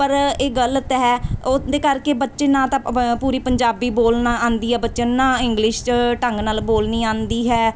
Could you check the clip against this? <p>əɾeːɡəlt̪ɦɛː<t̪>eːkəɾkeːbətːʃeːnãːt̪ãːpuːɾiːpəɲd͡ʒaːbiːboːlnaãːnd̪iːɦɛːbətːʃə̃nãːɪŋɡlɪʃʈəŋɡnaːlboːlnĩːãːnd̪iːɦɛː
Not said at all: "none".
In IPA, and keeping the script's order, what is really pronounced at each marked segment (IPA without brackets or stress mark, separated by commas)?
p, d̪